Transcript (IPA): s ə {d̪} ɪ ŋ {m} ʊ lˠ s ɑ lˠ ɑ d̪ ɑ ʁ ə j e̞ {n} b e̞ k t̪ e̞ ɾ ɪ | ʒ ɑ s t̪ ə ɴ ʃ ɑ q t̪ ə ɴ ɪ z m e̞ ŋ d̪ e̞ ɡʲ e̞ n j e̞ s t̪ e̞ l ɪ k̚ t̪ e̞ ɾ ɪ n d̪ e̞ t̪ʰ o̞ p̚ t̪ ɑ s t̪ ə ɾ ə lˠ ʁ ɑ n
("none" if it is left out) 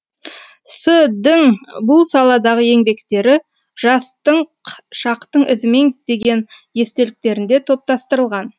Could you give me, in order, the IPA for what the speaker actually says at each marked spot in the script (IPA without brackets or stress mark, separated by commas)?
d̪, b, ŋ